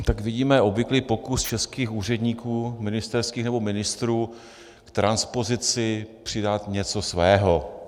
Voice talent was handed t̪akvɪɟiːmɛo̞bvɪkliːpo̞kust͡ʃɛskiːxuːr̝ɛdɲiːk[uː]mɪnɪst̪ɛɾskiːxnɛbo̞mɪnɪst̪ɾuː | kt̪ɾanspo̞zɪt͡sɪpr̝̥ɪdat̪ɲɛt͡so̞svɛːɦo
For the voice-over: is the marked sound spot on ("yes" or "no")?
yes